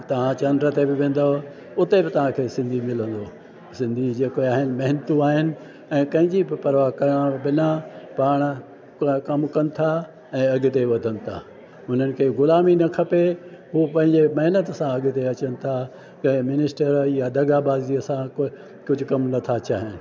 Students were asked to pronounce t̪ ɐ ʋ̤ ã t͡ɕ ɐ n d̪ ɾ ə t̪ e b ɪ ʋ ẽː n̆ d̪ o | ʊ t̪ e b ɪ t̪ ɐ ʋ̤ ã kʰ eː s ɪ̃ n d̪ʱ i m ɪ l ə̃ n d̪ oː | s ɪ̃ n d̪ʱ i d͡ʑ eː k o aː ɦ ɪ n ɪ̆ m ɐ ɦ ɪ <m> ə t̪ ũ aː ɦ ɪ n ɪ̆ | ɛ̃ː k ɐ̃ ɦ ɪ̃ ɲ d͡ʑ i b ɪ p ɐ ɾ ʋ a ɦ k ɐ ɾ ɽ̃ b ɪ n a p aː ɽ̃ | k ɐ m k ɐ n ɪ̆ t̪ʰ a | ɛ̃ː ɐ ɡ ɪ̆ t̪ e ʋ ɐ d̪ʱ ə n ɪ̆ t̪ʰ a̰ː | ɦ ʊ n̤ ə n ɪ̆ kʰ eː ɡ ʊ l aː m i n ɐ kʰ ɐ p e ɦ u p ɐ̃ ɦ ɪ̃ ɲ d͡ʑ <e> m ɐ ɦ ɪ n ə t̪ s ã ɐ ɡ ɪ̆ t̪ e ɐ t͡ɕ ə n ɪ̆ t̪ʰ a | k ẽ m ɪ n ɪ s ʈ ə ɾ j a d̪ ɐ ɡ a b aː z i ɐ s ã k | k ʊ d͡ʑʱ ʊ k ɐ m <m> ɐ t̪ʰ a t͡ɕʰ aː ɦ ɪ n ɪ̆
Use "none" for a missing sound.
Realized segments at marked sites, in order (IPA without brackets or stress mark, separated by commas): n, e, n